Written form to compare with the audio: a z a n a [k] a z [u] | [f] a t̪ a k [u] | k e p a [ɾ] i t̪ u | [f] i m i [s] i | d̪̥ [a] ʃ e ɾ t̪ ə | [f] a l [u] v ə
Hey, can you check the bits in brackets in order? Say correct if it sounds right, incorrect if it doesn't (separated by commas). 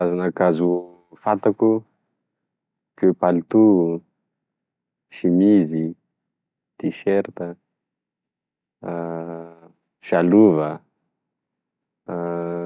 correct, correct, correct, correct, incorrect, incorrect, incorrect, incorrect, incorrect, correct